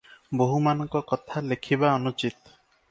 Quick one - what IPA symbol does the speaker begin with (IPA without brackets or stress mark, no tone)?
b